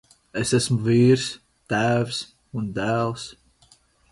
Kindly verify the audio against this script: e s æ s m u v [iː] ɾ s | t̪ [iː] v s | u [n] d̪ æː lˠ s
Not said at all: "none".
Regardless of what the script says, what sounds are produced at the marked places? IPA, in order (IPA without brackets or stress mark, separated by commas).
iː, æː, n